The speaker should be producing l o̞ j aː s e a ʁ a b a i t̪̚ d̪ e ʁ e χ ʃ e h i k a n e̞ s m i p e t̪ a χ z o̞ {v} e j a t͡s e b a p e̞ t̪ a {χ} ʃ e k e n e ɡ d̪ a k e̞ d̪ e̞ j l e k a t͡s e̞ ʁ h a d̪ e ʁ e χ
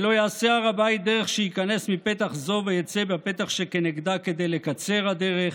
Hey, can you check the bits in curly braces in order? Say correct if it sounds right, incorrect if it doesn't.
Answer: correct, correct

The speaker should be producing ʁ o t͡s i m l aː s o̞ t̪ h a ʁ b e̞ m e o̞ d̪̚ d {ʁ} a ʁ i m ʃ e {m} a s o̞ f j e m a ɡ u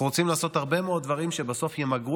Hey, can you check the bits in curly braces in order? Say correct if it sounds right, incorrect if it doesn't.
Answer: incorrect: v, incorrect: b

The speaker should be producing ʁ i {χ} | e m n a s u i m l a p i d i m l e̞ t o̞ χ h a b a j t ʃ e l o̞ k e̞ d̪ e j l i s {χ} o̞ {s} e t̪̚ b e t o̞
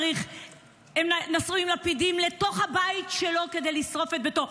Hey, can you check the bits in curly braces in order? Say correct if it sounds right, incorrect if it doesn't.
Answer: correct, incorrect: ʁ, incorrect: f

